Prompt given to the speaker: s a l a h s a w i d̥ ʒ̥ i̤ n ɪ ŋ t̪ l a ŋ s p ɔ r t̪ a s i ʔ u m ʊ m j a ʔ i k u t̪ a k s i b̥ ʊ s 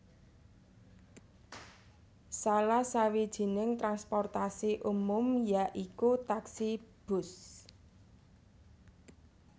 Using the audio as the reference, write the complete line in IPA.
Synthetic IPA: s a l a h s a w i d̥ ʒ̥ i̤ n ɪ ŋ t̪ ɾ a n s p ɔ r t̪ a s i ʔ u m ʊ m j a ʔ i k u t̪ a k s i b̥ ʊ s